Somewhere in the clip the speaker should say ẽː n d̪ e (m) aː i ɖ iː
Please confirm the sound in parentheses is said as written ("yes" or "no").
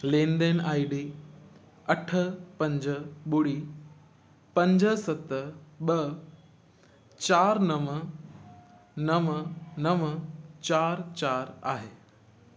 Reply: no